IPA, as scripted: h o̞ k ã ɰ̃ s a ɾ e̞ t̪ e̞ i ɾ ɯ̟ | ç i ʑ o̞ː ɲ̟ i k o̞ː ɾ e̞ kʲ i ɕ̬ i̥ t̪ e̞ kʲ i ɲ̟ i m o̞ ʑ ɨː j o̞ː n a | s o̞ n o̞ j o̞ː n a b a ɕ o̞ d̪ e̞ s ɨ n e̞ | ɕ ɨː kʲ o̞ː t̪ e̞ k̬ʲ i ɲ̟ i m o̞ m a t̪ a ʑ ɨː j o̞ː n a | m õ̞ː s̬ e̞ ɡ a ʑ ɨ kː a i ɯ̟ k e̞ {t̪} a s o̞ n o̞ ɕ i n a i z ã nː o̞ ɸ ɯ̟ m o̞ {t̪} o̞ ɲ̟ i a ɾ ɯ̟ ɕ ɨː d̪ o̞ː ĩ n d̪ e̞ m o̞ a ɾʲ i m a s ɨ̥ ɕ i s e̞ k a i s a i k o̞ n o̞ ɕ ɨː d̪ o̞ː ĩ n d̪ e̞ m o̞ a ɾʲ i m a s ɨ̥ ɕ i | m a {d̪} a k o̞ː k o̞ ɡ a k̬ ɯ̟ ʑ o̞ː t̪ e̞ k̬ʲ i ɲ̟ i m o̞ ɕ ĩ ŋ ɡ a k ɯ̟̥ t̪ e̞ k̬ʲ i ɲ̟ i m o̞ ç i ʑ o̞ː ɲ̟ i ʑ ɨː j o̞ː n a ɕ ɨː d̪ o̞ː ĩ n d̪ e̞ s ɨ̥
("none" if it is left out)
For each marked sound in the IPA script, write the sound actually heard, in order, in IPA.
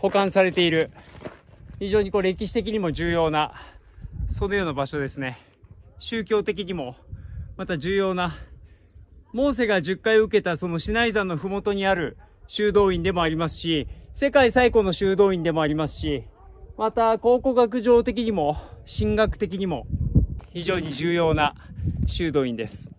t̪, t̪, t̪

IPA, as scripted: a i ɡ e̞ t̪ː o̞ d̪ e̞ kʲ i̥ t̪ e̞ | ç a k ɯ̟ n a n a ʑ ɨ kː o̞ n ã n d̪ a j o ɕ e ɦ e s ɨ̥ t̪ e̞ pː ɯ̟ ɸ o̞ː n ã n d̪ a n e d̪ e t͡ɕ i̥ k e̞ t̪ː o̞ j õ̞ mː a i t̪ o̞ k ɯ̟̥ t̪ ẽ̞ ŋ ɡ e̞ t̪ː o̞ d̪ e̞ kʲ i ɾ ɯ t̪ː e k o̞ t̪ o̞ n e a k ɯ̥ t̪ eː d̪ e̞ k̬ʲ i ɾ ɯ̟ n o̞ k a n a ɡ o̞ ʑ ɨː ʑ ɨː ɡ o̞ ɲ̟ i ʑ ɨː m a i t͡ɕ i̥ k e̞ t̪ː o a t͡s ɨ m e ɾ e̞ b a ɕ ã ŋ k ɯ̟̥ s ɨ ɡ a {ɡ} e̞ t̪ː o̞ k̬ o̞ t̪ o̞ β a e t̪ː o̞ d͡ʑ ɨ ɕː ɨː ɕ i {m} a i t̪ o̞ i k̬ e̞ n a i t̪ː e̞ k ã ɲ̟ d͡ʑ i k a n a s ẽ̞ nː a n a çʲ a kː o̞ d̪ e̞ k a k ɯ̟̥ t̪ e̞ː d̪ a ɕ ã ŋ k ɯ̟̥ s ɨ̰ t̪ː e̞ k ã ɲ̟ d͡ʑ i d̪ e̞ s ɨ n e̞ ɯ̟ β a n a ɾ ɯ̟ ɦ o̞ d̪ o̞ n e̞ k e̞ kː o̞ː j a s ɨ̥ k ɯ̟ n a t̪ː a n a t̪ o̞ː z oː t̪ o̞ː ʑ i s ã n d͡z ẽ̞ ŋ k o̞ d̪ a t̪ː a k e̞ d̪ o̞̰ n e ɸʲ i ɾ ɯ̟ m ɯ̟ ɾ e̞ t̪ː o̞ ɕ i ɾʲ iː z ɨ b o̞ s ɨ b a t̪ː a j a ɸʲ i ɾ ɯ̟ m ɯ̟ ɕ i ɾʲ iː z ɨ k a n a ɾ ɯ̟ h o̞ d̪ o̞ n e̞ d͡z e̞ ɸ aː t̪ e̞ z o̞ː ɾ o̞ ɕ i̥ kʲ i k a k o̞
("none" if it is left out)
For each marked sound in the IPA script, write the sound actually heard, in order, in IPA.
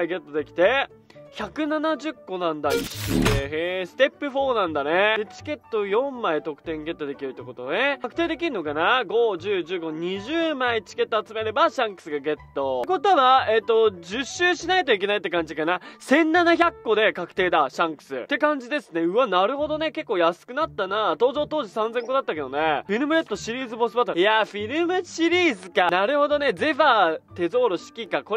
ɡ, n

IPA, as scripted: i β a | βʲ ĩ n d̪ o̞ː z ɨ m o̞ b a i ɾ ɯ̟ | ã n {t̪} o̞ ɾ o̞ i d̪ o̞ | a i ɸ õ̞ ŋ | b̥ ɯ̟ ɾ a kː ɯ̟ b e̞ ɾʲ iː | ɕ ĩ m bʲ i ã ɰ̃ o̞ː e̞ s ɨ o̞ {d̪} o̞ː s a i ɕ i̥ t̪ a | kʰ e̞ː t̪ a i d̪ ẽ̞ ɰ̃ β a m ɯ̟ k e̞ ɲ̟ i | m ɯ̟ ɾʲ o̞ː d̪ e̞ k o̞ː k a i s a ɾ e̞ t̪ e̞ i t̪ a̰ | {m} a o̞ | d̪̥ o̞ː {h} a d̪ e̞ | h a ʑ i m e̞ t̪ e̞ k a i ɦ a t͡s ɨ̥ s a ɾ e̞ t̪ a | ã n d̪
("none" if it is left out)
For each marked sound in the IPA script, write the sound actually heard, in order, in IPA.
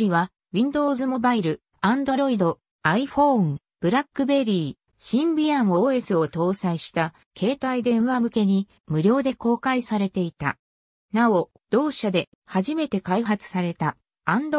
d̪, t̪, n, ɕ

